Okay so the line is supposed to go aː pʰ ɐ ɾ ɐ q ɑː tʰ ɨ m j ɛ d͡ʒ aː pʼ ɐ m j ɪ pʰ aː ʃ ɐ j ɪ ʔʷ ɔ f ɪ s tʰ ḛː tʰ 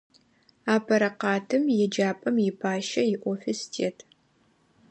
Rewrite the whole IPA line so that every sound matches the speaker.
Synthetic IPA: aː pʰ ɐ ɾ ɐ q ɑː tʰ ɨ m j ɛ d͡ʒ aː pʼ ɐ m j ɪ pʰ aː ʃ ɐ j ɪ ʔʷ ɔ f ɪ s tʰ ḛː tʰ